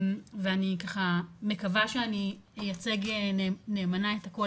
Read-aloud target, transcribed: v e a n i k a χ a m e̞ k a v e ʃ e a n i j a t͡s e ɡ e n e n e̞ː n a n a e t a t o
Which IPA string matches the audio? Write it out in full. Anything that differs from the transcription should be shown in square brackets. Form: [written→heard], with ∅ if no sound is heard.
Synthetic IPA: v e a n i k a χ a m e̞ k a v [e→a] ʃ e a n i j a t͡s e ɡ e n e n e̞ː [n→m] a n a e t a [t→k] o